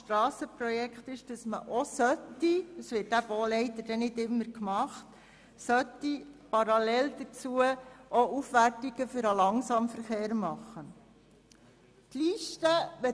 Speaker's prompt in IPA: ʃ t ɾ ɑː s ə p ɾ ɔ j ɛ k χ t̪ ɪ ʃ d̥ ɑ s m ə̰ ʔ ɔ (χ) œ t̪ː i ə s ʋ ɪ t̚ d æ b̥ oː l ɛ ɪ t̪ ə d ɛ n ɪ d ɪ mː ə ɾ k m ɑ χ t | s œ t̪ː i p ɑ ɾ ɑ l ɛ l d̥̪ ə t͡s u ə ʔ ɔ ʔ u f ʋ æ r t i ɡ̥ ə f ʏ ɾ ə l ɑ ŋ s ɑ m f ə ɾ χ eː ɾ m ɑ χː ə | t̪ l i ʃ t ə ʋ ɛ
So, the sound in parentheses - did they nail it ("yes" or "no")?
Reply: no